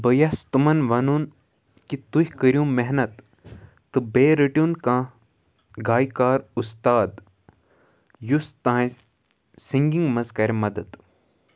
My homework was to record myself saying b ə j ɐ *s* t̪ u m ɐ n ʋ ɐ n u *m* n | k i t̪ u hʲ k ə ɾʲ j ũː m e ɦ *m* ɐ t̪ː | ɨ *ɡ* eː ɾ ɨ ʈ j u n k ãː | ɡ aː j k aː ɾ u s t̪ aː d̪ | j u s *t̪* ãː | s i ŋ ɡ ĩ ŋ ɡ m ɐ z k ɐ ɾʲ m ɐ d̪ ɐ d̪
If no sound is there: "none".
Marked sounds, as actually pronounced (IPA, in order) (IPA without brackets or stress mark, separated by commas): s, none, n, b, t̪